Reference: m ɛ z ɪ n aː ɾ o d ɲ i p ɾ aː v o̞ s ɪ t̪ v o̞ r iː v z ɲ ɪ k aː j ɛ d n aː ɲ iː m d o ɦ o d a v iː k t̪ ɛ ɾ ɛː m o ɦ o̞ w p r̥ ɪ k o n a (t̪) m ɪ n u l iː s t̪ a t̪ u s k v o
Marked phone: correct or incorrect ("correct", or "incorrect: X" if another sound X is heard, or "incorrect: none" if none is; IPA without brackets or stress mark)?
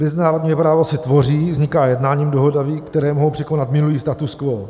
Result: correct